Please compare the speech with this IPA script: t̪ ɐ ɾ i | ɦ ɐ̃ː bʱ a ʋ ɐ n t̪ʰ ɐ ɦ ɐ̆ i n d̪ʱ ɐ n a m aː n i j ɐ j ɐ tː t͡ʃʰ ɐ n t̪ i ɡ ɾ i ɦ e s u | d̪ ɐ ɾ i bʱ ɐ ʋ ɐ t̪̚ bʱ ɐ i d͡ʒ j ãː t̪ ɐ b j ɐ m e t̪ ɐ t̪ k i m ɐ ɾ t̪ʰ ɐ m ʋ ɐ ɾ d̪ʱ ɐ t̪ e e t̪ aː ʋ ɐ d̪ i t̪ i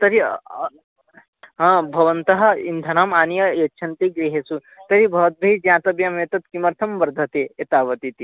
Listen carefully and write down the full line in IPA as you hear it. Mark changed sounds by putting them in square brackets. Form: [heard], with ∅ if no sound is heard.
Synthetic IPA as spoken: t̪ ɐ ɾ i | ɦ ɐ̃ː bʱ [ɐ] ʋ ɐ n [t̪] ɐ ɦ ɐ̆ i n d̪ʱ ɐ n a m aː n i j ɐ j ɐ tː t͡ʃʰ ɐ n t̪ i ɡ ɾ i ɦ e s u | [t̪] ɐ ɾ i bʱ ɐ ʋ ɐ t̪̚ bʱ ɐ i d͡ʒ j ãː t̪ ɐ b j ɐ m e t̪ ɐ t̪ k i m ɐ ɾ t̪ʰ ɐ m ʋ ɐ ɾ d̪ʱ ɐ t̪ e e t̪ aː ʋ ɐ [t̪] i t̪ i